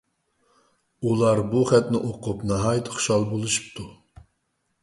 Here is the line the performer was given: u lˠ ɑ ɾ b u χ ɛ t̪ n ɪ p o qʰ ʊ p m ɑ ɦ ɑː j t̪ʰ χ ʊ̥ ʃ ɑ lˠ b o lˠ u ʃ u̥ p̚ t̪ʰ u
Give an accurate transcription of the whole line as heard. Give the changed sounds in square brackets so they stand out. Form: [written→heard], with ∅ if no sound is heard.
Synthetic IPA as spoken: u lˠ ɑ ɾ b u χ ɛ t̪ n ɪ [p→ʔ] o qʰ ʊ p [m→n] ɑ ɦ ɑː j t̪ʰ χ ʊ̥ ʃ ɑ lˠ b o lˠ u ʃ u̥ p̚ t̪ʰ u